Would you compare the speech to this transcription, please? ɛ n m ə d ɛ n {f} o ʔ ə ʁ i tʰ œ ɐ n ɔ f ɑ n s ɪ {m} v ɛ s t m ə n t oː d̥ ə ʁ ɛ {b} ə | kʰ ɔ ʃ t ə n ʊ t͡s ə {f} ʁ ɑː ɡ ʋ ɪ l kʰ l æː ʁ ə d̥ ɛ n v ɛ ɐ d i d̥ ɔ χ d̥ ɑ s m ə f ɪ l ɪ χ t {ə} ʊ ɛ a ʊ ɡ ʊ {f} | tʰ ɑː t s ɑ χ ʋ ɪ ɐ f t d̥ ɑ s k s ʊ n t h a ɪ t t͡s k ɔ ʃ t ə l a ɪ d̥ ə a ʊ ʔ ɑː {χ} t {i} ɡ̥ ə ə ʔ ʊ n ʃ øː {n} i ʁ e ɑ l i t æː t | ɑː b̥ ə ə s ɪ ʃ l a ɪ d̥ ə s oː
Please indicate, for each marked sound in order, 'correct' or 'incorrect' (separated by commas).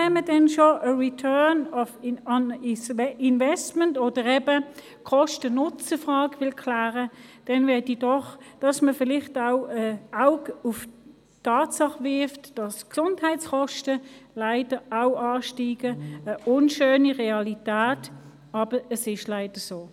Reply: incorrect, incorrect, correct, correct, incorrect, correct, incorrect, incorrect, correct